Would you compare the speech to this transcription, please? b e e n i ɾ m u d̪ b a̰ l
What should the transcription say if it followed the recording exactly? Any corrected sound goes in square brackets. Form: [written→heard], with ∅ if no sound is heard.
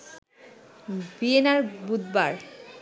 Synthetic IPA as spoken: b [e→i] e n [i→a] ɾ [m→b] u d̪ b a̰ [l→ɾ]

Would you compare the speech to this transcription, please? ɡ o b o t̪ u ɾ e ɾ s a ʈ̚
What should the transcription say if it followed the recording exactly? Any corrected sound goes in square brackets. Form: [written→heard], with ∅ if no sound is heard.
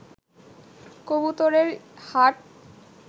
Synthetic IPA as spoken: [ɡ→k] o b [o→u] t̪ [u→o] ɾ e ɾ [s→h] a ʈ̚

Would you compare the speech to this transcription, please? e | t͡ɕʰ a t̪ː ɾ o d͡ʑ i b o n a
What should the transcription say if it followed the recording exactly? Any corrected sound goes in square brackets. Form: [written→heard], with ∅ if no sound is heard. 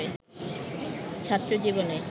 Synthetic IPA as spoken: e | t͡ɕʰ a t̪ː ɾ o d͡ʑ i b o n [a→e]

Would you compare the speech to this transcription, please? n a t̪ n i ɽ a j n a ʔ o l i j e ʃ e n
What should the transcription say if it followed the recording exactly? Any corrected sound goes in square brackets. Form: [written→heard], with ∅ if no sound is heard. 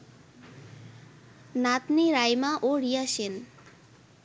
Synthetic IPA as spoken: n a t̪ n i [ɽ→ɾ] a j [n→m] a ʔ o [l→ɾ] i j [e→a] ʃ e n

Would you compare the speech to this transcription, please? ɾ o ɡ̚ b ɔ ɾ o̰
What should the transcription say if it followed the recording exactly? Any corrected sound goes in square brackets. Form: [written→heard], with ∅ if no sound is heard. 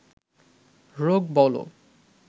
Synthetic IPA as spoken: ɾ o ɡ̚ b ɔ [ɾ→l] o̰

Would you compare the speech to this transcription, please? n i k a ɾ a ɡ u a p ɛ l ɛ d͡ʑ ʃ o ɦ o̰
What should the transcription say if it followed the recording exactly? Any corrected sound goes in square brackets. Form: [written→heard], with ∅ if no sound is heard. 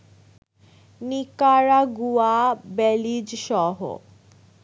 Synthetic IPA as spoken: n i k a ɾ a ɡ u a [p→b] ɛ l [ɛ→i] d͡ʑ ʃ [o→ɔ] ɦ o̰

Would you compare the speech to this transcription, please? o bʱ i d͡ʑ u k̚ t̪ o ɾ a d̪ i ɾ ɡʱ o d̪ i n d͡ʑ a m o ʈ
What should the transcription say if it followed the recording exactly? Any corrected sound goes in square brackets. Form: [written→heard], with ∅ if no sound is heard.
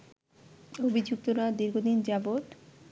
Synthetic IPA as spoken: o bʱ i d͡ʑ u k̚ t̪ o ɾ a d̪ i ɾ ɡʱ o d̪ i n d͡ʑ a [m→b] o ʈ

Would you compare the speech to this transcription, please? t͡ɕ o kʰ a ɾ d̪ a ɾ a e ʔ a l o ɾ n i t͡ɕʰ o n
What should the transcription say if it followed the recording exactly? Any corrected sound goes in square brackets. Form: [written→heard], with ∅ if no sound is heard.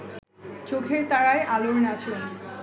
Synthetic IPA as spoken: t͡ɕ o kʰ [a→e] ɾ [d̪→t̪] a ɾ a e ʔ a l o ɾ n [i→a] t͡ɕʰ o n

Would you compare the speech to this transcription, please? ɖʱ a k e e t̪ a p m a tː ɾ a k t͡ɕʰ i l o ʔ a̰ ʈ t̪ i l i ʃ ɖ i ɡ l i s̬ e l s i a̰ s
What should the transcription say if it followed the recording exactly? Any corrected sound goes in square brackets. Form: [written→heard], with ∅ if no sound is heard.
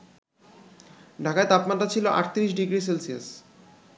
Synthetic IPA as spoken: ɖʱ a k [e→a] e t̪ a p m a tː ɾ a [k→∅] t͡ɕʰ i l o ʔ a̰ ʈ t̪ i [l→ɾ] i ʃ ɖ i ɡ [l→ɾ] i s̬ e l s i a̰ s

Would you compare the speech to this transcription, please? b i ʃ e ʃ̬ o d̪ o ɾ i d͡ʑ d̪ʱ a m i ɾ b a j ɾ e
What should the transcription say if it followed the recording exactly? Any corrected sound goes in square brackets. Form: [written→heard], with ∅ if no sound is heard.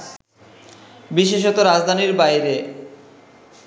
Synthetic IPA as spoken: b i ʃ e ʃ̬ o [d̪→t̪] o ɾ [i→a] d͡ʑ d̪ʱ a [m→n] i ɾ b a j ɾ e

